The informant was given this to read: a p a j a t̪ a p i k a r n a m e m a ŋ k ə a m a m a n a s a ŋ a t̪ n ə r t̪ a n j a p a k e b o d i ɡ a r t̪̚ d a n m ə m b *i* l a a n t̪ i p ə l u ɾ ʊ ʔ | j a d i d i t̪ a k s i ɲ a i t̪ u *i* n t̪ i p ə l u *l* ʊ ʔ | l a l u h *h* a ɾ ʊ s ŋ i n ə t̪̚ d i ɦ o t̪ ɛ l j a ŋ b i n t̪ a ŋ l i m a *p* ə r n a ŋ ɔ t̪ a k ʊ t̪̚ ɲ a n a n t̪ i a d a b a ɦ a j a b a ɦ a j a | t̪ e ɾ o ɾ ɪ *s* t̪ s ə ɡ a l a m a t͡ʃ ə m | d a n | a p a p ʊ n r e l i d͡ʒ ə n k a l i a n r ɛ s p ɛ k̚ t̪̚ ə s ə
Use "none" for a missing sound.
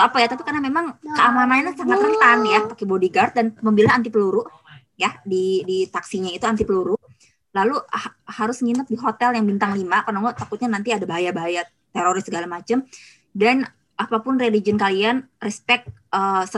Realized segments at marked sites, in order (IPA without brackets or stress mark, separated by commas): i, a, ɾ, h, k, s